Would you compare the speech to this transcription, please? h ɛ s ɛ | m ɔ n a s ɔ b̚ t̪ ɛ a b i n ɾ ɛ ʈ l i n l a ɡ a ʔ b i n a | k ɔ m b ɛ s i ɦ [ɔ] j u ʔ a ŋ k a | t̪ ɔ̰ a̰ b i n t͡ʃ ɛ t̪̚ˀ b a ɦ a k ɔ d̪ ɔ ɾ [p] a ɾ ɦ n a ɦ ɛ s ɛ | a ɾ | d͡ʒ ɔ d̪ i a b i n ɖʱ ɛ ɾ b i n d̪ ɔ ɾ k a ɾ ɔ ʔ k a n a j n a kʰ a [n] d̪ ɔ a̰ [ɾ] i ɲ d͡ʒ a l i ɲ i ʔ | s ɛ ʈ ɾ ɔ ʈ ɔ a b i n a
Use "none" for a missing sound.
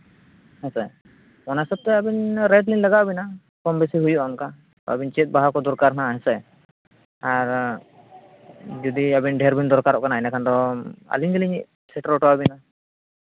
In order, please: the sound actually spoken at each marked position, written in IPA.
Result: u, k, n, l

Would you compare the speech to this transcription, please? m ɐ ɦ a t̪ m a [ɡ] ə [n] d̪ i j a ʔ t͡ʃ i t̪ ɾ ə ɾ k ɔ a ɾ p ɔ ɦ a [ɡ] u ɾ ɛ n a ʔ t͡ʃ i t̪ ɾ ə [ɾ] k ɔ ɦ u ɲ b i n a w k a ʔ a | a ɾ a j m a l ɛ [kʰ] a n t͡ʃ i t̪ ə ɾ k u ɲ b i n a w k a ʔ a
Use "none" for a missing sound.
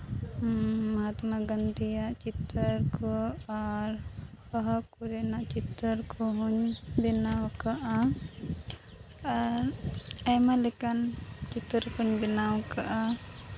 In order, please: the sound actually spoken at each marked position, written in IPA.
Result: ɡ, n, k, ɾ, k

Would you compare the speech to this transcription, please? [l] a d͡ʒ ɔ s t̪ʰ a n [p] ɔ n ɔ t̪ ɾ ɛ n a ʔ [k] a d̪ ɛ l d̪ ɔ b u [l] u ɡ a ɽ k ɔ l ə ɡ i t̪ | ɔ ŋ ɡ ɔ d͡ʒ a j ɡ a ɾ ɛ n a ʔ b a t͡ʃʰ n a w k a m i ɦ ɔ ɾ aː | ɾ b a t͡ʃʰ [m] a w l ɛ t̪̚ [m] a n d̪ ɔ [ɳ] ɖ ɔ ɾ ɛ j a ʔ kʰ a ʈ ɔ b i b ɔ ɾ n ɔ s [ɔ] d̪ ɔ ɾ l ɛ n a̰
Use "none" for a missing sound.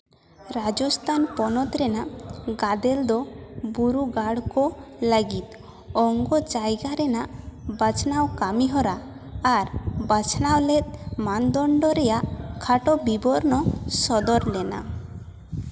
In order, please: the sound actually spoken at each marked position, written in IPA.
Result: ɾ, p, ɡ, ɾ, n, m, ɳ, ɔ

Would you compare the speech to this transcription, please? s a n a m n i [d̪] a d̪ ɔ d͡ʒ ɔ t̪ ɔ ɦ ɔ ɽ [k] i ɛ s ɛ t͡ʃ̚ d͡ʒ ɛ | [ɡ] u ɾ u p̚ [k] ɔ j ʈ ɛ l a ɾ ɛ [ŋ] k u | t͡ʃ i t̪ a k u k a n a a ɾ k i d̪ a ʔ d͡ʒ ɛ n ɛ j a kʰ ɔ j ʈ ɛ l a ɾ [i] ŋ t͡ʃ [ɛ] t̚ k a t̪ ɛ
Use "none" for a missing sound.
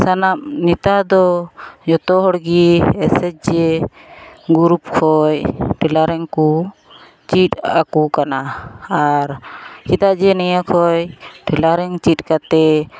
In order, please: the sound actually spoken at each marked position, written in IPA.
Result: t̪, ɡ, ɡ, kʰ, ŋ, ɛ, i

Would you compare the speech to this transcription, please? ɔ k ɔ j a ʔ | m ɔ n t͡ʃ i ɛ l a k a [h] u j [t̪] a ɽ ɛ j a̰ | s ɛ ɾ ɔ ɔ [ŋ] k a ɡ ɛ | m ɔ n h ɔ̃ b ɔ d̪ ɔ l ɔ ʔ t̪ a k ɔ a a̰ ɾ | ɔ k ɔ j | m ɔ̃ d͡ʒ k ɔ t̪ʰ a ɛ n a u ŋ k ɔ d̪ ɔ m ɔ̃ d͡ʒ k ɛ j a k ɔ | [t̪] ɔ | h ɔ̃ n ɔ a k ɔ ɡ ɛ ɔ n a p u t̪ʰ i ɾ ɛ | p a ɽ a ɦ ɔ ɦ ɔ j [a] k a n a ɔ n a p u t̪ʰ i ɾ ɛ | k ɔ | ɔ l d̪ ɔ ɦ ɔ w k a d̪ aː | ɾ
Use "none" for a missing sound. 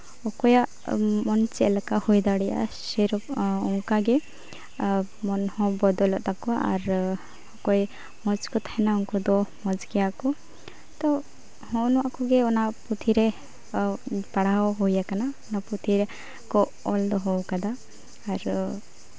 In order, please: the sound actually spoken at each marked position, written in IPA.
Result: h, d̪, ŋ, t̪, a

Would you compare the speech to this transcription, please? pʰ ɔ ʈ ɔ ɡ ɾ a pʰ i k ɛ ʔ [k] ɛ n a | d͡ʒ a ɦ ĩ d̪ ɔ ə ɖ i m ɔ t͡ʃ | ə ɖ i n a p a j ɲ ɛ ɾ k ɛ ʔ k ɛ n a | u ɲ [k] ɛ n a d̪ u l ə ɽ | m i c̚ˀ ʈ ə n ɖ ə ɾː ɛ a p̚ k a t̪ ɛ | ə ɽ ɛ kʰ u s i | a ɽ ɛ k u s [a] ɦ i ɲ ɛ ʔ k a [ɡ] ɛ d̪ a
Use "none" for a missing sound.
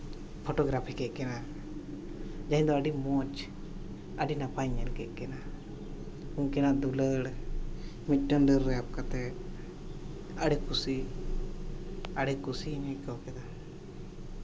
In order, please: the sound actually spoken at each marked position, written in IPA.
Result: k, k, i, k

